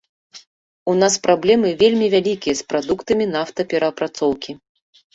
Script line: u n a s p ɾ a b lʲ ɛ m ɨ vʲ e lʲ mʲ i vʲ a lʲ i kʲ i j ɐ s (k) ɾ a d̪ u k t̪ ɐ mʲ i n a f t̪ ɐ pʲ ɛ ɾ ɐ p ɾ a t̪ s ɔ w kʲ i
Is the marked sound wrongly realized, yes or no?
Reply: yes